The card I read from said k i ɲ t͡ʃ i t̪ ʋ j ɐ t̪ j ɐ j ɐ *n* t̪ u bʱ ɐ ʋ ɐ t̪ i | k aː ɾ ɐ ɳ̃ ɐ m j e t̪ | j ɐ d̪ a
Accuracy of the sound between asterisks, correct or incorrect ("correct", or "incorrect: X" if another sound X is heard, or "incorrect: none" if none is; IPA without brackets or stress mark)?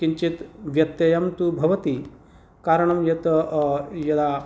incorrect: m